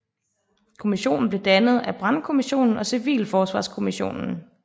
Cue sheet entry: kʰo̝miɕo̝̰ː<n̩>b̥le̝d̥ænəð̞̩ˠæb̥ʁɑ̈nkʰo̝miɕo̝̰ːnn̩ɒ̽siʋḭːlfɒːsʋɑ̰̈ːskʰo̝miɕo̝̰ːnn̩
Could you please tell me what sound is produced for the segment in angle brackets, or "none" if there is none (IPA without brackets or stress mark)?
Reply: n̩